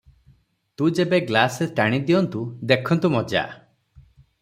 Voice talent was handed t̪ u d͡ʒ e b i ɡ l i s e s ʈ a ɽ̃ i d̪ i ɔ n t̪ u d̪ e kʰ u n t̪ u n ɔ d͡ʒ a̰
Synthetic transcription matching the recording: t̪ u d͡ʒ e b e ɡ l a s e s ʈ a ɽ̃ i d̪ i ɔ n t̪ u d̪ e kʰ ɔ n t̪ u m ɔ d͡ʒ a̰

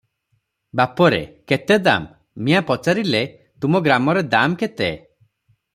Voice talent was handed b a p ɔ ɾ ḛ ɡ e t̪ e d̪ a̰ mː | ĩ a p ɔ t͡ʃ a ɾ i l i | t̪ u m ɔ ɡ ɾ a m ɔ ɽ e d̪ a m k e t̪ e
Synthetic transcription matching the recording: b a p ɔ ɾ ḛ k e t̪ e d̪ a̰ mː | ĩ a p ɔ t͡ʃ a ɾ i l e | t̪ u m ɔ ɡ ɾ a m ɔ ɾ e d̪ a m k e t̪ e

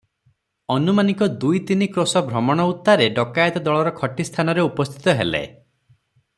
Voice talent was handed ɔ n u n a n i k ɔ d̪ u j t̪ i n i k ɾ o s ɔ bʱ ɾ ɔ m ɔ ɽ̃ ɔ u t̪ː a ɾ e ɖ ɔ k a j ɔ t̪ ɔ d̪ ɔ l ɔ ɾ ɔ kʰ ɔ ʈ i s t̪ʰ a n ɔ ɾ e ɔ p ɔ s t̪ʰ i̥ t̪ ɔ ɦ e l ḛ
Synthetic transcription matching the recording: ɔ n u m a n i k ɔ d̪ u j t̪ i n i k ɾ o s ɔ bʱ ɾ ɔ m ɔ ɽ̃ ɔ u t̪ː a ɾ e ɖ ɔ k a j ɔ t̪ ɔ d̪ ɔ ɭ ɔ ɾ ɔ kʰ ɔ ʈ i s t̪ʰ a n ɔ ɾ e u p ɔ s t̪ʰ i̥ t̪ ɔ ɦ e l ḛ

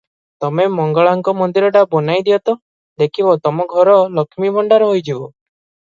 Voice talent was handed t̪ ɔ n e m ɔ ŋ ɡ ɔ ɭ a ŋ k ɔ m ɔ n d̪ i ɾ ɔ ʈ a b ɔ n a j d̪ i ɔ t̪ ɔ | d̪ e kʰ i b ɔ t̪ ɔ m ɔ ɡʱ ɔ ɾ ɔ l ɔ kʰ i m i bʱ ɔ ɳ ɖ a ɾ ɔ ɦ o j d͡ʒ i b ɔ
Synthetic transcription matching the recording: t̪ ɔ m e m ɔ ŋ ɡ ɔ ɭ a ŋ k ɔ m ɔ n d̪ i ɾ ɔ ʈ a b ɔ n a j d̪ i ɔ t̪ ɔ | d̪ e kʰ i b ɔ t̪ ɔ m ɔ ɡʱ ɔ ɾ ɔ l ɔ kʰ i m i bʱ ɔ ɳ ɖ a ɾ ɔ ɦ o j d͡ʒ i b ɔ

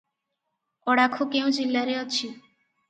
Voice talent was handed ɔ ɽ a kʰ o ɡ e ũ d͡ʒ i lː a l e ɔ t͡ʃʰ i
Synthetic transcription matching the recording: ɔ ɽ a kʰ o k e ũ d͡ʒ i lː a ɾ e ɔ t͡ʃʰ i

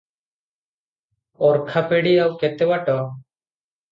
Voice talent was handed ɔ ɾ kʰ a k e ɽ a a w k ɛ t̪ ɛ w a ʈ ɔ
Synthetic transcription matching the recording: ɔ ɾ kʰ a p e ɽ i a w k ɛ t̪ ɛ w a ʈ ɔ

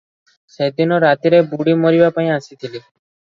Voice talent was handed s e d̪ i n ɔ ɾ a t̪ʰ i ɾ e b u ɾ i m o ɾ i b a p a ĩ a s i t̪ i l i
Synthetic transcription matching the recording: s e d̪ i n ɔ ɾ a t̪ i ɾ e b u ɽ i m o ɾ i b a p a ĩ a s i t̪ʰ i l i

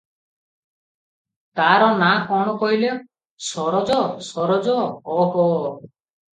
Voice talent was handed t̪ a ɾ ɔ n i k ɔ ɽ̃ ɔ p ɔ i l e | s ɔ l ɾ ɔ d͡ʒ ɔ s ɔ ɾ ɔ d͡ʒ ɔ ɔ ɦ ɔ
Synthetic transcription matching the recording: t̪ a ɾ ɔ n a k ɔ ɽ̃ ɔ k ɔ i l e | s ɔ ɾ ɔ d͡ʒ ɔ s ɔ ɾ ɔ d͡ʒ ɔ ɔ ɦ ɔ

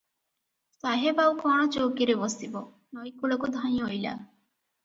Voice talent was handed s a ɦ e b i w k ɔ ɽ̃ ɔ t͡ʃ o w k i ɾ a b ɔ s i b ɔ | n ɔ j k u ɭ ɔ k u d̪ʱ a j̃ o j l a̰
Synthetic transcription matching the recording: s a ɦ e b a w k ɔ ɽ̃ ɔ t͡ʃ o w k i ɾ e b ɔ s i b ɔ | n ɔ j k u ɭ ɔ k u d̪ʱ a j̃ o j l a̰

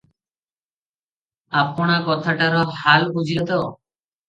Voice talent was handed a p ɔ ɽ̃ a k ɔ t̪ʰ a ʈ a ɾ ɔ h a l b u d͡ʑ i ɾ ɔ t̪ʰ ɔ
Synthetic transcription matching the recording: a p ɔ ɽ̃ a k ɔ t̪ʰ a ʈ a ɾ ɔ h a l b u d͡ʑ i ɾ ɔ t̪ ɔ

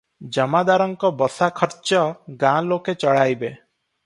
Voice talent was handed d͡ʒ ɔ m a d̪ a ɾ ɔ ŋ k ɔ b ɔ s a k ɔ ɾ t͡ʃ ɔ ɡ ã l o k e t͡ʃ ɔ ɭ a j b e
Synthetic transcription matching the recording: d͡ʒ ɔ m a d̪ a ɾ ɔ ŋ k ɔ b ɔ s a kʰ ɔ ɾ t͡ʃ ɔ ɡ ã l o k e t͡ʃ ɔ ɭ a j b e

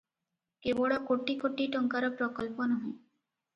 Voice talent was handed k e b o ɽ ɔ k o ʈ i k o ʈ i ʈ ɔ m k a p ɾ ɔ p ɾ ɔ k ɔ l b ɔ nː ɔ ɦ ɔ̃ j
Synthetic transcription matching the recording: k e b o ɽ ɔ k o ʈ i k o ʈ i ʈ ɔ ŋ k a ɾ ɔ p ɾ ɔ k ɔ l p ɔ n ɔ ɦ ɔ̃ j

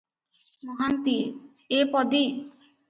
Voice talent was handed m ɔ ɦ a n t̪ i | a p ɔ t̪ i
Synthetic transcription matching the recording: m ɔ ɦ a n t̪ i | e p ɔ d̪ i

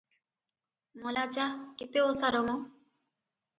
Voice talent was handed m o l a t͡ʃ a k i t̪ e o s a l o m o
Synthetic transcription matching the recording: m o l a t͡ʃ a k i t̪ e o s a ɾ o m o

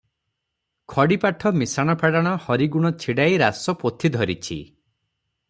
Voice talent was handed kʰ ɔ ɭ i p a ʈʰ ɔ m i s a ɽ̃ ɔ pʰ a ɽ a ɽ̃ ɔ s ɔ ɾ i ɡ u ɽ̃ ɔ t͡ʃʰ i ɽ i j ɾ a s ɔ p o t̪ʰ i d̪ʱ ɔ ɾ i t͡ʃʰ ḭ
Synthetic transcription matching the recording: kʰ ɔ ɽ i p a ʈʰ ɔ m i s a ɽ̃ ɔ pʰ a ɽ a ɽ̃ ɔ h ɔ ɾ i ɡ u ɽ̃ ɔ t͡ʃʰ i ɽ a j ɾ a s ɔ p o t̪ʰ i d̪ʱ ɔ ɾ i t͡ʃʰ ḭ

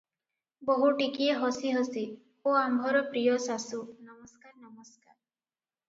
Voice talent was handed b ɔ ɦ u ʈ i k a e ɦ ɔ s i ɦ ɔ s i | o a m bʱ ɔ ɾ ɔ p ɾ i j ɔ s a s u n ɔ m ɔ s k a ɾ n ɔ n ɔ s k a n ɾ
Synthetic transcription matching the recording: b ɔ ɦ u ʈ i k i e ɦ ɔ s i ɦ ɔ s i | o a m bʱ ɔ ɾ ɔ p ɾ i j ɔ s a s u n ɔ m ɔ s k a ɾ n ɔ m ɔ s k a ɾ

